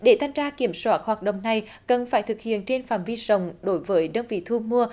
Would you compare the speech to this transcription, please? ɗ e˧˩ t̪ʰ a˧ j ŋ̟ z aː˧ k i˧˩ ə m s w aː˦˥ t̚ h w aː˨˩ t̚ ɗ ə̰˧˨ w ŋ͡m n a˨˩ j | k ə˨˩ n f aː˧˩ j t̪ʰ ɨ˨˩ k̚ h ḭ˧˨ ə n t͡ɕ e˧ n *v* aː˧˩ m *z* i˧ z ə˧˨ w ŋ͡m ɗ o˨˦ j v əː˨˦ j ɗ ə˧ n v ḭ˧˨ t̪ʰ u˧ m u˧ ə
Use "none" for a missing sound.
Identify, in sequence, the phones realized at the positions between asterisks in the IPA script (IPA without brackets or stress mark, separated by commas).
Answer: f, v